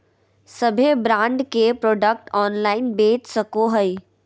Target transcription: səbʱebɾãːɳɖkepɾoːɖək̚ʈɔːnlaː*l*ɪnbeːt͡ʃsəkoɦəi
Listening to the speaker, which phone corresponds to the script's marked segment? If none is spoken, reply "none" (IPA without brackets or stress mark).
none